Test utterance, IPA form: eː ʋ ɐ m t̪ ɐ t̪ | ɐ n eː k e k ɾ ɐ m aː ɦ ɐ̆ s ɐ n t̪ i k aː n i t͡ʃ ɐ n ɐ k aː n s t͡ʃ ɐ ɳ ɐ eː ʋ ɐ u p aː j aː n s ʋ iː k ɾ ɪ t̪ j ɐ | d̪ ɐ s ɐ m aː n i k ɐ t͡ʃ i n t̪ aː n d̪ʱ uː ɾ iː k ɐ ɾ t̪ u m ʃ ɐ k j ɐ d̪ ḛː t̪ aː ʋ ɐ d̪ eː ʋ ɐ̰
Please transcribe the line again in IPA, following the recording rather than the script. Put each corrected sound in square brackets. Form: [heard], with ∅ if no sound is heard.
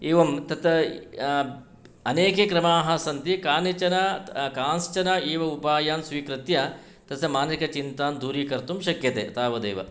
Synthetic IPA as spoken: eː ʋ ɐ m t̪ ɐ t̪ | ɐ n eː k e k ɾ ɐ m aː ɦ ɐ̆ s ɐ n t̪ i k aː n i t͡ʃ ɐ n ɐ k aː n s t͡ʃ ɐ [n] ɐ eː ʋ ɐ u p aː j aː n s ʋ iː k ɾ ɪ t̪ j ɐ | [t̪] ɐ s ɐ m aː n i k ɐ t͡ʃ i n t̪ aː n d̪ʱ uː ɾ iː k ɐ ɾ t̪ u m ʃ ɐ k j ɐ [t̪] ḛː t̪ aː ʋ ɐ d̪ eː ʋ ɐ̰